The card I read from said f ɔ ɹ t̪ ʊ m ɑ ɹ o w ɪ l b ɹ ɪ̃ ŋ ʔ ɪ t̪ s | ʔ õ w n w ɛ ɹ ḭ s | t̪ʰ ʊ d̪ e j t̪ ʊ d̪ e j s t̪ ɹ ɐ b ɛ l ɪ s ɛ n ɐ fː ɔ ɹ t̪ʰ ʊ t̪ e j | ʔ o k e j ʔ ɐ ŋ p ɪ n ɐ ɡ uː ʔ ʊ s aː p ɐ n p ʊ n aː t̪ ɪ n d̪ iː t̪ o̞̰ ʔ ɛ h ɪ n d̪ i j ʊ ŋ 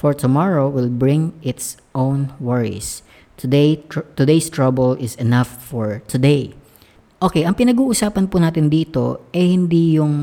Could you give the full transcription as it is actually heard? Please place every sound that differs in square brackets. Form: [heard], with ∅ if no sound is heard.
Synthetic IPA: f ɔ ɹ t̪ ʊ m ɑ ɹ o w ɪ l b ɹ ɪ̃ ŋ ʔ ɪ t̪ s | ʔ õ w n w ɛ ɹ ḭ s | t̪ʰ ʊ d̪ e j t̪ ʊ d̪ e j s t̪ ɹ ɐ b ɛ l ɪ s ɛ n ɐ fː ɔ ɹ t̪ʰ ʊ [d̪] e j | ʔ o k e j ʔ ɐ ŋ p ɪ n ɐ ɡ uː ʔ ʊ s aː p ɐ n p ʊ n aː t̪ ɪ n d̪ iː t̪ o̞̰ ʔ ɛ h ɪ n d̪ i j ʊ ŋ